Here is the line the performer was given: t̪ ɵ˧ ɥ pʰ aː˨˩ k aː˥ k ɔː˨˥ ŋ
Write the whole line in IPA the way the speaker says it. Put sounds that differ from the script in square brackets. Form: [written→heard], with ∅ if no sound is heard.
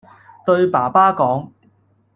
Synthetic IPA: t̪ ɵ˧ ɥ [pʰ→p] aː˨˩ [k→p] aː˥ k ɔː˨˥ ŋ